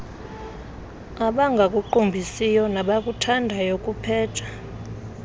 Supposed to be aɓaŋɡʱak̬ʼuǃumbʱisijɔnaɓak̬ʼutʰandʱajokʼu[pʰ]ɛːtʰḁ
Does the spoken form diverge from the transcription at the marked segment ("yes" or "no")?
no